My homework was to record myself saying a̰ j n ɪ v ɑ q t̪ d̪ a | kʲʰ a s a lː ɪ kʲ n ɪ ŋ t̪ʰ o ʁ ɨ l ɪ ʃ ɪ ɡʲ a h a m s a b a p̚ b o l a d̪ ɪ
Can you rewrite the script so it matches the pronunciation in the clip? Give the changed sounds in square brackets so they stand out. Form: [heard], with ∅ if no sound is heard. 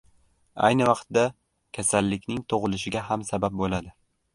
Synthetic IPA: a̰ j n ɪ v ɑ q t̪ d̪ a | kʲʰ a s a lː ɪ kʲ n ɪ ŋ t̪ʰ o ʁ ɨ l ɪ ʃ ɪ ɡʲ a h a m s a b a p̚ b o l a d̪ ɪ